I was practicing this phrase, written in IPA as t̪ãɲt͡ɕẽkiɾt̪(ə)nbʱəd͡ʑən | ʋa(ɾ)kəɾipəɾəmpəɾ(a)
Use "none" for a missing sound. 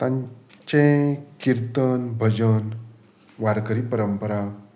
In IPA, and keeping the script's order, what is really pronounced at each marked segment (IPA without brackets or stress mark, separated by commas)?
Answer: ə, ɾ, a